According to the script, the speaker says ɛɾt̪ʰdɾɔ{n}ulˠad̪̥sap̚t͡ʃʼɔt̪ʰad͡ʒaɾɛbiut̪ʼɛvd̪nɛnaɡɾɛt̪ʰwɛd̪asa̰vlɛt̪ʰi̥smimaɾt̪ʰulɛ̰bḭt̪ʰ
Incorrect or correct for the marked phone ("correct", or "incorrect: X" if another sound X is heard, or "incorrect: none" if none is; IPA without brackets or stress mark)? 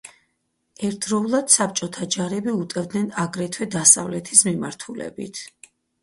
incorrect: none